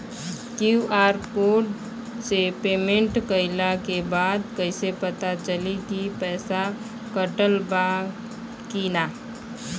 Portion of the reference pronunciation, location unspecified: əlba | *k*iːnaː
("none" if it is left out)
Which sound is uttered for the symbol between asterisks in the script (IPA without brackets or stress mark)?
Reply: k